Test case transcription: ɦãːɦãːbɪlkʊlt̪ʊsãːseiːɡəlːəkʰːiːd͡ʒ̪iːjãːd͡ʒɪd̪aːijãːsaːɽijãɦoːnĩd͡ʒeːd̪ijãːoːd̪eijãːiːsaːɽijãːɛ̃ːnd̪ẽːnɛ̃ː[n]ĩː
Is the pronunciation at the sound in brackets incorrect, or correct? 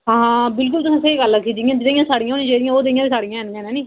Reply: correct